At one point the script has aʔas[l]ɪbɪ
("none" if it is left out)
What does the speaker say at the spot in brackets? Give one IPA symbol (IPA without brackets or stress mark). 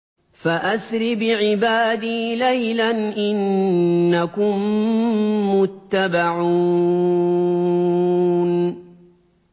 ɾ